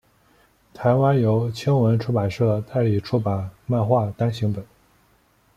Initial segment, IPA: t̪ʰ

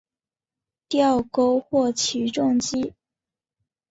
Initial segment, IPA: t̪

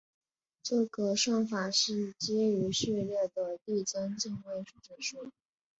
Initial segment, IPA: ʈ͡ʂ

